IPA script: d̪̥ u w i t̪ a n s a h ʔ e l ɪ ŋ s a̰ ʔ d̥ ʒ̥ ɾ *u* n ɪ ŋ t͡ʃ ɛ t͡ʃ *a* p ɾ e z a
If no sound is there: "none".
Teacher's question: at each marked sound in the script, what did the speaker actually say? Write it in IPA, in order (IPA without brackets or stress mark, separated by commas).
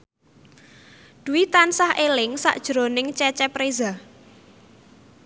o, ɛ